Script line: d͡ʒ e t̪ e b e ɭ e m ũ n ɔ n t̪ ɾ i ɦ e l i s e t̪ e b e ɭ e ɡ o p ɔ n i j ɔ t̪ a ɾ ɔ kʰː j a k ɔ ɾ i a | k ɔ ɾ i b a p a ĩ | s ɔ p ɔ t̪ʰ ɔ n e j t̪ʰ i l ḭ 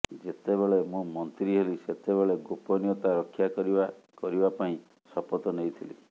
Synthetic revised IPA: d͡ʒ e t̪ e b e ɭ e m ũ m ɔ n t̪ ɾ i ɦ e l i s e t̪ e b e ɭ e ɡ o p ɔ n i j ɔ t̪ a ɾ ɔ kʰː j a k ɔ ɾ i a | k ɔ ɾ i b a p a ĩ | s ɔ p ɔ t̪ ɔ n e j t̪ʰ i l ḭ